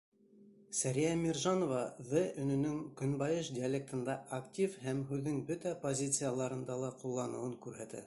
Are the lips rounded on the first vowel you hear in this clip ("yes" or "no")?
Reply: no